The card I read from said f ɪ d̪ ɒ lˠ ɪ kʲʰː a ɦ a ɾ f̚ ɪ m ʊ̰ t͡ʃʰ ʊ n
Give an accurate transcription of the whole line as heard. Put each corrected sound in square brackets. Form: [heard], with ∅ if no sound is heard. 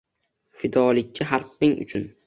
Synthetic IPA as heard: f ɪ d̪ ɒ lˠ ɪ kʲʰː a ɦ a ɾ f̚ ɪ [ŋ] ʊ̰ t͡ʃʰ ʊ n